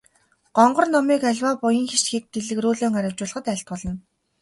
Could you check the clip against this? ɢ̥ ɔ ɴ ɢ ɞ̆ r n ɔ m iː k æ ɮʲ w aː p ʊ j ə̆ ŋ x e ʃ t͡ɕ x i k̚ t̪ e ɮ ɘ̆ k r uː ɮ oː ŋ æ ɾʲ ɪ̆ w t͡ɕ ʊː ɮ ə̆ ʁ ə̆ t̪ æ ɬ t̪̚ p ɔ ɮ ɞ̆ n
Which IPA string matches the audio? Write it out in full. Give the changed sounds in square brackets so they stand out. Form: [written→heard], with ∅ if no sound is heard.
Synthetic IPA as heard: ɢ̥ ɔ ɴ ɢ ɞ̆ r n ɔ m iː k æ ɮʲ w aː p ʊ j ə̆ ŋ x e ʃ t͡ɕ x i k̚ t̪ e ɮ ɘ̆ k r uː ɮ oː ŋ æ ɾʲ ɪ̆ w t͡ɕ ʊː ɮ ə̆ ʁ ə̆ t̪ æ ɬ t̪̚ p ɔ ɮ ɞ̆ n